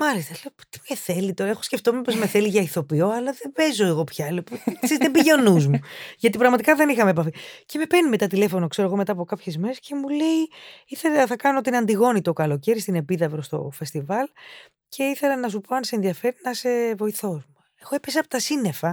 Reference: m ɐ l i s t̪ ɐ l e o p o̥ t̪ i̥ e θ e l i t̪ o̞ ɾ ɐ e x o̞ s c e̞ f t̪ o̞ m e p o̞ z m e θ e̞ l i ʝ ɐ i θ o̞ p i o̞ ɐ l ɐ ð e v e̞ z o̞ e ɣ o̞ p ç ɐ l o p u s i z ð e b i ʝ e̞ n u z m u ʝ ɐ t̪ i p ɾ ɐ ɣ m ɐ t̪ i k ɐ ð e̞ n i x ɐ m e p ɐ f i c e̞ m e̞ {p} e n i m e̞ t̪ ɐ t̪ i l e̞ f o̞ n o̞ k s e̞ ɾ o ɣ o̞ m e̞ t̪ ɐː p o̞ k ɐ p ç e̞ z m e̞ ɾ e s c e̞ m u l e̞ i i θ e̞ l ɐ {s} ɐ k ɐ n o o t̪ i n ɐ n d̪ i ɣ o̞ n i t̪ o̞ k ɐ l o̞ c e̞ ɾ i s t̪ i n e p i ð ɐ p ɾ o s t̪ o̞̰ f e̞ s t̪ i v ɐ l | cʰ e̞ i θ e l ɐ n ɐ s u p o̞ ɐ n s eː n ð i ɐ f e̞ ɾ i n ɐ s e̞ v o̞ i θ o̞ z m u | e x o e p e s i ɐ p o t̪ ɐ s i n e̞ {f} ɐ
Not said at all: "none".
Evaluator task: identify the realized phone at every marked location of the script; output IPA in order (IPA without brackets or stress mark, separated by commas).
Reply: p, θ, f